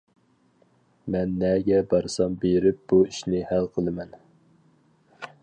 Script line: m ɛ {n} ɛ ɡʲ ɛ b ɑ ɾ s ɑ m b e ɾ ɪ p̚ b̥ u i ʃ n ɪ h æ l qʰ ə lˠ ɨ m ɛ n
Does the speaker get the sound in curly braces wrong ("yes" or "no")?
yes